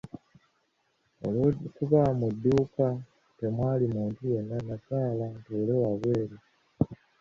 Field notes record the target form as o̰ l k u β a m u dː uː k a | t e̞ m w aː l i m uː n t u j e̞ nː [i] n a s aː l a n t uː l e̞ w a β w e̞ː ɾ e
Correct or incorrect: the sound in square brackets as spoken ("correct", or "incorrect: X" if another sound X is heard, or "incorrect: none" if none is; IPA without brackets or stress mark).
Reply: incorrect: a